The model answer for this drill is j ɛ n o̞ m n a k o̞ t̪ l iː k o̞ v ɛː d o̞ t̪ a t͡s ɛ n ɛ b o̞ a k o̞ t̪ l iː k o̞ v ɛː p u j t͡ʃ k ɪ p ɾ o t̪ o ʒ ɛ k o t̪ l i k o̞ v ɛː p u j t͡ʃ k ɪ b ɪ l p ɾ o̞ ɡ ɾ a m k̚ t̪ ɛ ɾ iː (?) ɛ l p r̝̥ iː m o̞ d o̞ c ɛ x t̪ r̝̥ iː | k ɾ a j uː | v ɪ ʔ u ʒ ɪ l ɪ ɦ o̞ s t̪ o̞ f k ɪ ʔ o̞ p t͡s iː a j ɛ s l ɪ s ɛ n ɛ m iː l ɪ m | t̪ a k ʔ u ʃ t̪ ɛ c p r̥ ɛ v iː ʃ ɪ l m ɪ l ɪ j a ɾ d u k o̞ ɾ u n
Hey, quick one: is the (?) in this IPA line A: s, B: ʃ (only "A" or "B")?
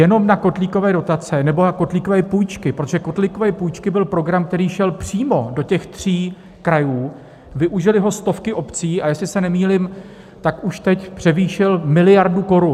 B